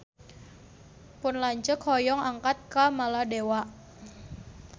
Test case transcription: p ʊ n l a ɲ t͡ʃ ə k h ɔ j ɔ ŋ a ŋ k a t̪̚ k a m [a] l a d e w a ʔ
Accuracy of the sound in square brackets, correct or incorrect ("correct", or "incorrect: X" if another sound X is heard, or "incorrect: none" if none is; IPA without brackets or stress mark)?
correct